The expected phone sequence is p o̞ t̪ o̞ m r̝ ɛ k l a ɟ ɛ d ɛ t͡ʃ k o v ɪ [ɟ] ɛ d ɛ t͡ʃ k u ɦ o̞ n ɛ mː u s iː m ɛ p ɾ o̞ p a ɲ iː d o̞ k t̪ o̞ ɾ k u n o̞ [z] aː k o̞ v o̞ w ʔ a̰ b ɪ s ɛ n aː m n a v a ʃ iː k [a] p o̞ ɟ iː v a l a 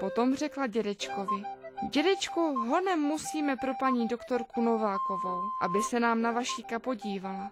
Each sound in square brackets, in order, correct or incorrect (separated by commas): correct, incorrect, correct